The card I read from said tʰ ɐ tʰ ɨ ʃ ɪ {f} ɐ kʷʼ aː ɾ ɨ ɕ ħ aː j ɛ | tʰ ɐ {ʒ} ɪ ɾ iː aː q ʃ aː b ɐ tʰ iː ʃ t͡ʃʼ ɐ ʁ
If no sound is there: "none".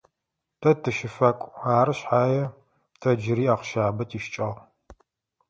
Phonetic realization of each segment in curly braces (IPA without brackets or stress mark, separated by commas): f, d͡ʒ